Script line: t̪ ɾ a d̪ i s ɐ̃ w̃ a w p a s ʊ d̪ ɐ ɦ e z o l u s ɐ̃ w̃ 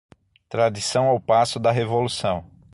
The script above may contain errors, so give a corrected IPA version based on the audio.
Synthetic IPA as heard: t̪ ɾ a d̪ i s ɐ̃ w̃ a w p a s ʊ d̪ ɐ ɦ e v o l u s ɐ̃ w̃